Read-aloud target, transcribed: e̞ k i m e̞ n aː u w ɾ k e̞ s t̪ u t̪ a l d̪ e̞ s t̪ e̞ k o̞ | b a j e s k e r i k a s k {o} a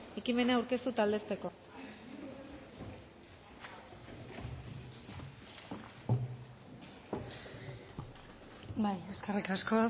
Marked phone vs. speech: correct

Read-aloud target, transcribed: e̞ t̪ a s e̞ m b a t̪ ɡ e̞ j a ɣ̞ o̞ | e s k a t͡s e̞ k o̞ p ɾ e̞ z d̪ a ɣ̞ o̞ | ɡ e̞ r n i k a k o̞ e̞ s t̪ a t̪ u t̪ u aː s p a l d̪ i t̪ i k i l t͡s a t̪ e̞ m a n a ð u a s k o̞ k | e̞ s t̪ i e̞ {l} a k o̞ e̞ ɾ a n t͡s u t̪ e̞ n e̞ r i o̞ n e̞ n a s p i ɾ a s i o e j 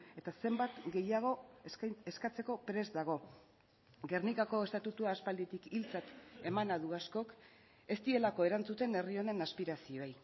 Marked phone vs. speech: correct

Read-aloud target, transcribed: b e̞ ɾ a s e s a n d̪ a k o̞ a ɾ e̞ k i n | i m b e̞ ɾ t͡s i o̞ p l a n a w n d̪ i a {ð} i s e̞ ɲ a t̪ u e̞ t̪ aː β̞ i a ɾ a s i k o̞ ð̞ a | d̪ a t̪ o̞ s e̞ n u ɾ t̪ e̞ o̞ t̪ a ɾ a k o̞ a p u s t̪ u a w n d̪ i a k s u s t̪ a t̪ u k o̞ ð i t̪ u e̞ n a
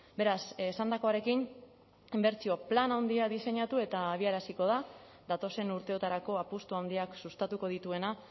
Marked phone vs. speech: correct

